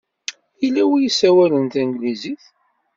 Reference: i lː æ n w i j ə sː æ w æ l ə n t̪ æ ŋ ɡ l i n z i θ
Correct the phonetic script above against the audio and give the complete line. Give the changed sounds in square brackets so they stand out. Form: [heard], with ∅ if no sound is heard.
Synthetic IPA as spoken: i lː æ [∅] w i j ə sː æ w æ l ə n t̪ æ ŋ ɡ l i [∅] z i θ